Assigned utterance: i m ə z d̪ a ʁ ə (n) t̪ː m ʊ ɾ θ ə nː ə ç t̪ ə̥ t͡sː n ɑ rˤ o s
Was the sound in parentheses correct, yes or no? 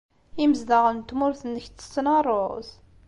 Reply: yes